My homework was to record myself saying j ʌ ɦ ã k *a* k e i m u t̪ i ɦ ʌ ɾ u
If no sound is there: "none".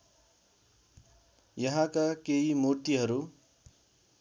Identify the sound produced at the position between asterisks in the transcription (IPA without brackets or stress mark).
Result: a